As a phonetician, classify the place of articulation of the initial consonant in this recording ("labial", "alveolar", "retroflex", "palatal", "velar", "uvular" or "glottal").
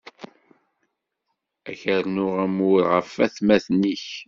palatal